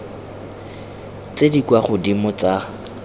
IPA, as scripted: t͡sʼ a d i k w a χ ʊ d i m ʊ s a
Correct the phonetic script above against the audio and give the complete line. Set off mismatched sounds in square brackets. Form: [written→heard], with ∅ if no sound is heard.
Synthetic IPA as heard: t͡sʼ [a→e] d i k w a χ ʊ d i m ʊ [s→t͡s] a